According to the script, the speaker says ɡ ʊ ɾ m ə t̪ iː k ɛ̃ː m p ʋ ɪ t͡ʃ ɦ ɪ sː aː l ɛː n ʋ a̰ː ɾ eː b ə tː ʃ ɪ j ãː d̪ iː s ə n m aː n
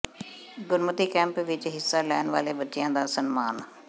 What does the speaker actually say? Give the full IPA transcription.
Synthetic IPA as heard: ɡ ʊ ɾ m ə t̪ iː k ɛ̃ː m p ʋ ɪ t͡ʃ ɦ ɪ sː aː l ɛː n ʋ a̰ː l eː b ə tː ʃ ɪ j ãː d̪ aː s ə n m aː n